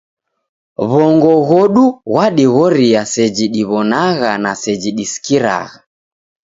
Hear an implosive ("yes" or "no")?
yes